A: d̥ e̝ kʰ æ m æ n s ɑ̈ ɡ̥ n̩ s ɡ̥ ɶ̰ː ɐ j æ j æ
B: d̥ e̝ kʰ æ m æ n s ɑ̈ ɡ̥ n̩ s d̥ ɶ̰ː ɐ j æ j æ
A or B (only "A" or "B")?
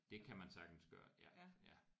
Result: A